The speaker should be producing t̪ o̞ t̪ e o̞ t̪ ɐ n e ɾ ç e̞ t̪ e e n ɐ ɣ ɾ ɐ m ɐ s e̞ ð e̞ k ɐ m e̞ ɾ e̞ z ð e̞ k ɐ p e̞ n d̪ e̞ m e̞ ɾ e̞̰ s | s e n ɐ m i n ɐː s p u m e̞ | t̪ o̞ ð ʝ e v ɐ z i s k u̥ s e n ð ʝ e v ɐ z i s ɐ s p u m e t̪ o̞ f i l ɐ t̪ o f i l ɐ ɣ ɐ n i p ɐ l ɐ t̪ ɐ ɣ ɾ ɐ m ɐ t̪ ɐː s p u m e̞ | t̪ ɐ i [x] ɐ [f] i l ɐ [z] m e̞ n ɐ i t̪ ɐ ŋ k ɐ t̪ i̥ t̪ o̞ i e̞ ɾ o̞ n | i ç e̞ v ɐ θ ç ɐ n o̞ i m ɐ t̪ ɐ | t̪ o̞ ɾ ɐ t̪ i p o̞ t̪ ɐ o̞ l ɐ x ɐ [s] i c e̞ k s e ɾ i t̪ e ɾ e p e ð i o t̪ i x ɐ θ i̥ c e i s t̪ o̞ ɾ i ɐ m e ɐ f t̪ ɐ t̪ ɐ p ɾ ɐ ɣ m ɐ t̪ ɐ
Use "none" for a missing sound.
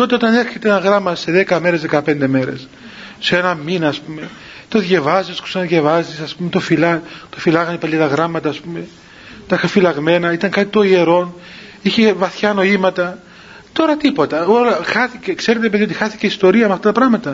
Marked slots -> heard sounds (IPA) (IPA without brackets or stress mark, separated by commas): x, f, ɣ, θ